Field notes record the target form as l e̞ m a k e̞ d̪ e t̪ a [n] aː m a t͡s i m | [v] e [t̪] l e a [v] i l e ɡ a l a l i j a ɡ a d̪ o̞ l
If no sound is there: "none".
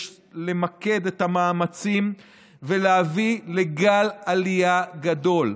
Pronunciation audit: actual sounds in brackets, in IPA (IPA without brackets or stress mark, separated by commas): m, v, none, v